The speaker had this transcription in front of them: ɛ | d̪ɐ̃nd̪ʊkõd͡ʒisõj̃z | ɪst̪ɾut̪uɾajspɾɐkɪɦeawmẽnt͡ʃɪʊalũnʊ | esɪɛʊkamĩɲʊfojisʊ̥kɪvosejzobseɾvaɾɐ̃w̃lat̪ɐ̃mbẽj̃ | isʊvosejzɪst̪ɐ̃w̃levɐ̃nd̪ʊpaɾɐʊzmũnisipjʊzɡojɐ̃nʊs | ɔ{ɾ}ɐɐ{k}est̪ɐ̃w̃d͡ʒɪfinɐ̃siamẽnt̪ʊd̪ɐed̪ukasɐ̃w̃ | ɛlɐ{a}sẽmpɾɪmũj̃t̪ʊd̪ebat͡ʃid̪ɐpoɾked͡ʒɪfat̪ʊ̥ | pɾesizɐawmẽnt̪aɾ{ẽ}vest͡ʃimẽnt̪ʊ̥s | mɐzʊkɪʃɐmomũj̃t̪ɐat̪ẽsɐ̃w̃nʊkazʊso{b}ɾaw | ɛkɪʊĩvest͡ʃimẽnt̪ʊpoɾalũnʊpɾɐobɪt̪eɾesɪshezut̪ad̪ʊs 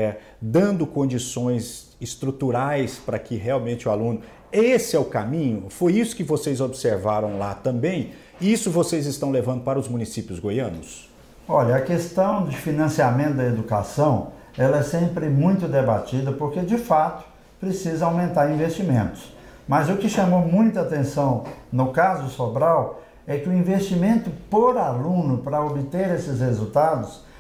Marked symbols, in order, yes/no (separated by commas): no, yes, no, no, yes